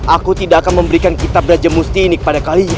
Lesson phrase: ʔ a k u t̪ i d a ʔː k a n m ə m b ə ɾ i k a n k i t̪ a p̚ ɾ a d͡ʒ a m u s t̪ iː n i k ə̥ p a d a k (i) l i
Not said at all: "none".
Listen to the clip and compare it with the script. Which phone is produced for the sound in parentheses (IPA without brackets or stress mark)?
a